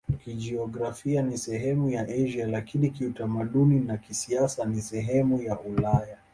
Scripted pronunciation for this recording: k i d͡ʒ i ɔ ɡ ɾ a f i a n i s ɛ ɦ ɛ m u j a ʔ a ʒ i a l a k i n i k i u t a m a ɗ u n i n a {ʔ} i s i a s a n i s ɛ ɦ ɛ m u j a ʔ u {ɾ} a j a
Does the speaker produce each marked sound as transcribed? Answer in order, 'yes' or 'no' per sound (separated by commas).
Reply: no, no